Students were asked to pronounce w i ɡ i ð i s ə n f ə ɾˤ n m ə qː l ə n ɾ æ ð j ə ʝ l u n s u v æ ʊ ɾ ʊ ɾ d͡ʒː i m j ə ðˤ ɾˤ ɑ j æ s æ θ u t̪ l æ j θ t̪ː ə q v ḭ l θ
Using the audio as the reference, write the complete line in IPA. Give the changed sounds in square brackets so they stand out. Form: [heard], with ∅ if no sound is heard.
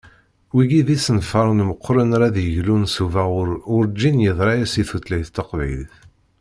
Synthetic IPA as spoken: w i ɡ i ð i s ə n f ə ɾˤ n m ə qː [ɾ] ə n ɾ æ ð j ə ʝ l u n s u v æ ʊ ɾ ʊ ɾ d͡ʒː i [n] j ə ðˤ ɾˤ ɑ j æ s [i] θ u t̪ l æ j θ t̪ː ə q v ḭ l θ